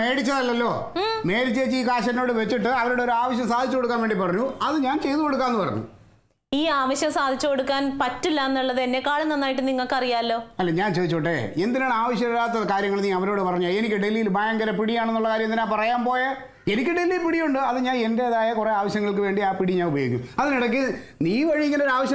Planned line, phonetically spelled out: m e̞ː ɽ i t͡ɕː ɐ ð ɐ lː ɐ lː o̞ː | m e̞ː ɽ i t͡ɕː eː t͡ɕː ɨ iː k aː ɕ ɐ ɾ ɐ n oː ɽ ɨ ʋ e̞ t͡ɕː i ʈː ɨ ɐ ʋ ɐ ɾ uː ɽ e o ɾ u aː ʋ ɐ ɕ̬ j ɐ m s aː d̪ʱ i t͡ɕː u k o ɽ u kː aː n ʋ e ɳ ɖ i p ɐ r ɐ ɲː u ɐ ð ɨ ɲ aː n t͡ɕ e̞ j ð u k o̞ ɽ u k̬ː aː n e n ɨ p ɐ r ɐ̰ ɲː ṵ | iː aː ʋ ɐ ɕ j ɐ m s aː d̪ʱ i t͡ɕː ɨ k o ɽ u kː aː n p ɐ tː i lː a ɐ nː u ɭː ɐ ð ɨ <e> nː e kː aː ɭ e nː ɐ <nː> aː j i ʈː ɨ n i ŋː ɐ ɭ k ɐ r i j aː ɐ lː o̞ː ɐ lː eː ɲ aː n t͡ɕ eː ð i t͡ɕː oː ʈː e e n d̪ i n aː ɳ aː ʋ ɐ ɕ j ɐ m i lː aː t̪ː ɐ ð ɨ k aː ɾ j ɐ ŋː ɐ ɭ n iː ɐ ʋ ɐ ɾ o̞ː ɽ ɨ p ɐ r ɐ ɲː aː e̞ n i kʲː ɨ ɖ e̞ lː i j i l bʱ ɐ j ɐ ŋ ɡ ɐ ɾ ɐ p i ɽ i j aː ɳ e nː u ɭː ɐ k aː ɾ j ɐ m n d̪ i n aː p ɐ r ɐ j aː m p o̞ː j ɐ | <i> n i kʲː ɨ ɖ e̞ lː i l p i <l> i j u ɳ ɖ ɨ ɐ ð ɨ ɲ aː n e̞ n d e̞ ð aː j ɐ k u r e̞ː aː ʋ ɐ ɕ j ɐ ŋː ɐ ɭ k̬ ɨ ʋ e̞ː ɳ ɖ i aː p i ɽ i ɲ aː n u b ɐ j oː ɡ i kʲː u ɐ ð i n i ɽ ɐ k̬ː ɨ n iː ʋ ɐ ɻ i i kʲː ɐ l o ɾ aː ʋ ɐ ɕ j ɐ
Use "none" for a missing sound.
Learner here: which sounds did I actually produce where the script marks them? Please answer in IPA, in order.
e, nː, e, ɽ

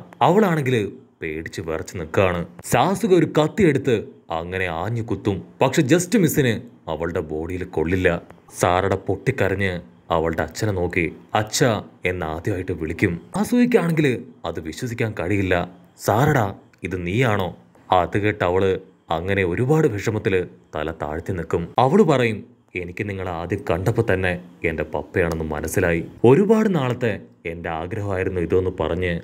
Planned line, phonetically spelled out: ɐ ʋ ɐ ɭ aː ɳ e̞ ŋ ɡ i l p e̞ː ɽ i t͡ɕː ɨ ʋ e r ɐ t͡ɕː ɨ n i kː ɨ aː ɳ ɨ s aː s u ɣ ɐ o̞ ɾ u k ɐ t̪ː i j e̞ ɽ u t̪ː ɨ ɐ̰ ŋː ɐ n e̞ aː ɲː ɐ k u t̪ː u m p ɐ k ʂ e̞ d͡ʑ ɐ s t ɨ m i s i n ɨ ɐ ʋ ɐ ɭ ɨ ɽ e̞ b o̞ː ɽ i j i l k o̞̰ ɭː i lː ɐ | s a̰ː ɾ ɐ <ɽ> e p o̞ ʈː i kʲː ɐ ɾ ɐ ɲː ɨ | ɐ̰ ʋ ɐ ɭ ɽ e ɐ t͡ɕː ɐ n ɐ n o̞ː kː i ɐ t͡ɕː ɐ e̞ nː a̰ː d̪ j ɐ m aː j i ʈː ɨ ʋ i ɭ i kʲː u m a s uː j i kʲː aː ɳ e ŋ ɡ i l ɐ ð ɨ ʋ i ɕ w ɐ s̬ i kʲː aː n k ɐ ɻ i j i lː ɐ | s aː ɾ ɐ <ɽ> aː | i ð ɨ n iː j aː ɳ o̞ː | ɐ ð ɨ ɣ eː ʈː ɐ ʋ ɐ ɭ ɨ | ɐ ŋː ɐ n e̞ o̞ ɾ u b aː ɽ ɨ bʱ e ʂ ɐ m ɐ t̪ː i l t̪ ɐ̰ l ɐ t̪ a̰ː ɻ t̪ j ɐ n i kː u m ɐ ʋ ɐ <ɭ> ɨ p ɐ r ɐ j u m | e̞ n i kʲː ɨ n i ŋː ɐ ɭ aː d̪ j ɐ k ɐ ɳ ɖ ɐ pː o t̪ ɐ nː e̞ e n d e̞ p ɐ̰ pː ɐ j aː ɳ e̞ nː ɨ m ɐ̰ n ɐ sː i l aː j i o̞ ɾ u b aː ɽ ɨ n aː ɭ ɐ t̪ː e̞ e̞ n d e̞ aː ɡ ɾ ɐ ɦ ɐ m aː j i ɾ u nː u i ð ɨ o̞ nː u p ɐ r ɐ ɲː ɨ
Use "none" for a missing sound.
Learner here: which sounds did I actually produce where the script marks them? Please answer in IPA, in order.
ɽ, ɽ, ɭ

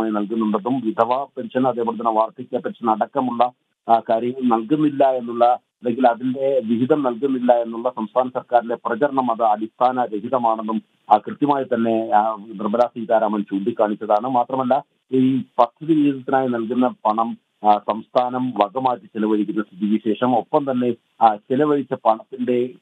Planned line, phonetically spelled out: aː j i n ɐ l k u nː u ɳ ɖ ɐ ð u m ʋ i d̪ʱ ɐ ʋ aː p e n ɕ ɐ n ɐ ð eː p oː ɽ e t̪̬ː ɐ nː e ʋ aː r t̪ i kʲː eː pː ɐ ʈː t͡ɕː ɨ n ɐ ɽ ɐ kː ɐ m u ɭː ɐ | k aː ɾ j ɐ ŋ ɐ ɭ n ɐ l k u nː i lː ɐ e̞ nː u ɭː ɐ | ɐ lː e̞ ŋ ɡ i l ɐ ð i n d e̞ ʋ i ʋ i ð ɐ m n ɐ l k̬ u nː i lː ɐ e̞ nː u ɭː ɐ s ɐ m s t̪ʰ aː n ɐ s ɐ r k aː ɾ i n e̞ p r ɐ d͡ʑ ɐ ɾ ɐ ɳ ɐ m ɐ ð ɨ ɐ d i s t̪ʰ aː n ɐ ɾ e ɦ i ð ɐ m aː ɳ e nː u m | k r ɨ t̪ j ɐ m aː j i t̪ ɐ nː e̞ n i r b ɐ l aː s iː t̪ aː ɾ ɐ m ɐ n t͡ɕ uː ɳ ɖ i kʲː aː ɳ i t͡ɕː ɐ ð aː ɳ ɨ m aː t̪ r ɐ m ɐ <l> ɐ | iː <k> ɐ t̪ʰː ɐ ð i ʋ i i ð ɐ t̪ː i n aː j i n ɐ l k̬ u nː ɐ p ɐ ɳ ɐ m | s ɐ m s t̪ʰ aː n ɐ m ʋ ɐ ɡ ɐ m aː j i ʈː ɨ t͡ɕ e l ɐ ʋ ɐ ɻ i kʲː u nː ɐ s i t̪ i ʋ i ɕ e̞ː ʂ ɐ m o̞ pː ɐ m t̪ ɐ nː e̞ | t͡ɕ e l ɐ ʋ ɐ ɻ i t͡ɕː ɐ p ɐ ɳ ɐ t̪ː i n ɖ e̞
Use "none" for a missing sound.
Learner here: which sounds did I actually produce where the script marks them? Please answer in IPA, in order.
lː, p

